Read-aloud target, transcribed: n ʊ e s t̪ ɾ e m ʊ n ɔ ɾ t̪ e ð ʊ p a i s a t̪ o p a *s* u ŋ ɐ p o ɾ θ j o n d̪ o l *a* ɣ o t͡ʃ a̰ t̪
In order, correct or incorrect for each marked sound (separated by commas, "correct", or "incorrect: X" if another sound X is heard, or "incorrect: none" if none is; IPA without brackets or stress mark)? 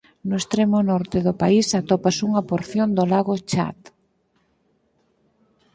correct, correct